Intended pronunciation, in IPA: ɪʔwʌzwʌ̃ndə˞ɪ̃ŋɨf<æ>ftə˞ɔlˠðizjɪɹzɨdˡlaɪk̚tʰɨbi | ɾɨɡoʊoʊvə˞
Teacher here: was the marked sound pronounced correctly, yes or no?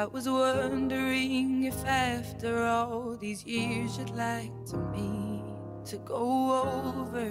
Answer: yes